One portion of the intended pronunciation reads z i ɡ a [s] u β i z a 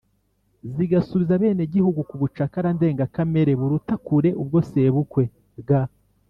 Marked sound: correct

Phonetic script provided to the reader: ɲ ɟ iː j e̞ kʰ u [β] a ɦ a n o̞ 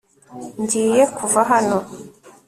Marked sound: incorrect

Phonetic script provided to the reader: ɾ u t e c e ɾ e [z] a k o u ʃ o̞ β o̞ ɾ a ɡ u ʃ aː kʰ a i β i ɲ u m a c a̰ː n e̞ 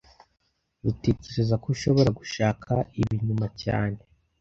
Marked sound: correct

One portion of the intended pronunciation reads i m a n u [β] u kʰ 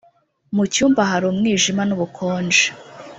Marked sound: correct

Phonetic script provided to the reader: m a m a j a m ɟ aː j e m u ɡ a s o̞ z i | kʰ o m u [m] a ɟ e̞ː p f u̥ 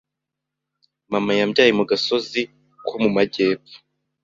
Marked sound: correct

